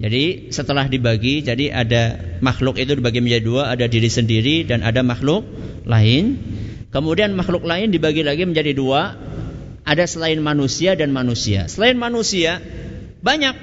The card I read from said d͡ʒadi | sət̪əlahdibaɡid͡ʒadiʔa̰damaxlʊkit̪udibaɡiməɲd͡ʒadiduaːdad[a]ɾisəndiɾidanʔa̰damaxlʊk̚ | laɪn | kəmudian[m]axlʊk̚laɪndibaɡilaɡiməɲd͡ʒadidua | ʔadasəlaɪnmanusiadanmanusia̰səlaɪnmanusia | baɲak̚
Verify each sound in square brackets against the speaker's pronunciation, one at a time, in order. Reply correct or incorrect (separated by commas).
incorrect, correct